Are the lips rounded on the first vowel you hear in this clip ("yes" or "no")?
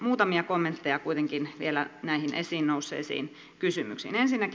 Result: yes